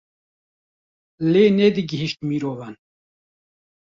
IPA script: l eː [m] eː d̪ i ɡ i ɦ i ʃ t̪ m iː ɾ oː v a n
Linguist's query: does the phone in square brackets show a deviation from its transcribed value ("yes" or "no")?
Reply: yes